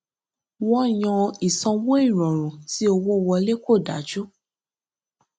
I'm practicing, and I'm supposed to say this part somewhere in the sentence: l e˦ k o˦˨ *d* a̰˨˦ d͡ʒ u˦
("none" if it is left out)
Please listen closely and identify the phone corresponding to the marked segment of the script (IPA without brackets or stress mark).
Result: d